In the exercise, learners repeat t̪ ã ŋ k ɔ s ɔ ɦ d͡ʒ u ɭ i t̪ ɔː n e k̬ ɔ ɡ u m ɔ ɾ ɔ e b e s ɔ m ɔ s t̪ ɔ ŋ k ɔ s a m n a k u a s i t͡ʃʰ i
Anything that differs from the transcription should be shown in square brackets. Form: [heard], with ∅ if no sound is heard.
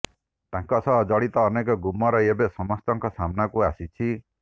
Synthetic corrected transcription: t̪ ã ŋ k ɔ s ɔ ɦ d͡ʒ [ɔ] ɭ i t̪ ɔː n e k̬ ɔ ɡ u m ɔ ɾ ɔ e b e s ɔ m ɔ s t̪ ɔ ŋ k ɔ s a m n a k u a s i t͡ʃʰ i